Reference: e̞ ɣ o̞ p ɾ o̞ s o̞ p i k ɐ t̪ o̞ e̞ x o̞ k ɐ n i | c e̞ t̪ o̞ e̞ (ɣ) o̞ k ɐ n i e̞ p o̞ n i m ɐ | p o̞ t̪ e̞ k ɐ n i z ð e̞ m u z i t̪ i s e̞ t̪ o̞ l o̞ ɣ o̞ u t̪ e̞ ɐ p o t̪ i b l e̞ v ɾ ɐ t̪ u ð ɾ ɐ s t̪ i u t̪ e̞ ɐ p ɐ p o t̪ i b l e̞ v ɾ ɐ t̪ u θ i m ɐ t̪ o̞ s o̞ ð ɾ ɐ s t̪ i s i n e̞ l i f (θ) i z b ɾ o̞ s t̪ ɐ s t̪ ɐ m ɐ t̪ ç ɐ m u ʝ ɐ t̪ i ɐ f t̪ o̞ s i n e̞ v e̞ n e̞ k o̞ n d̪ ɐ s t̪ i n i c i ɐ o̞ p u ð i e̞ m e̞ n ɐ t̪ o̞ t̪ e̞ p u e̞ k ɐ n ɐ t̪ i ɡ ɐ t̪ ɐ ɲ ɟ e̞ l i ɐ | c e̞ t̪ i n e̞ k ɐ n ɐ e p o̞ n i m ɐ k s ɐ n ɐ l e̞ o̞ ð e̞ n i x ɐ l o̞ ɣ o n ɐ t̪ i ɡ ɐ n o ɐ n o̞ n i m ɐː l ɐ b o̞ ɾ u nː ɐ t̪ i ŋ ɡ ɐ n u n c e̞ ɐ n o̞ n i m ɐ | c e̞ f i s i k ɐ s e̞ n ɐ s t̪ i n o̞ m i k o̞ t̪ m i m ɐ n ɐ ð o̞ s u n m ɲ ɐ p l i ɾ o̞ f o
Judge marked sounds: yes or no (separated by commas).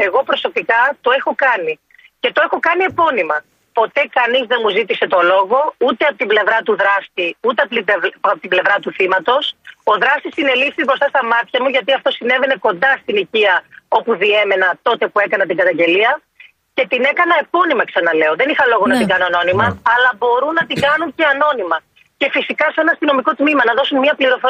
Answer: no, yes